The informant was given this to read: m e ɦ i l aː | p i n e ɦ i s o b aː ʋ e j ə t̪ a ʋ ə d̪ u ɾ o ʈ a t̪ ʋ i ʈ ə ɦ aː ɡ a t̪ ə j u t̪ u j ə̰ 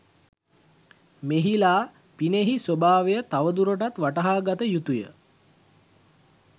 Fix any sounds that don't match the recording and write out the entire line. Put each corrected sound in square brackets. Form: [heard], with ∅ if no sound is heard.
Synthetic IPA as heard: m e ɦ i l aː | p i n e ɦ i s o b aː ʋ e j ə t̪ a ʋ ə d̪ u ɾ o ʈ a t̪ ʋ [a] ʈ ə ɦ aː ɡ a t̪ ə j u t̪ u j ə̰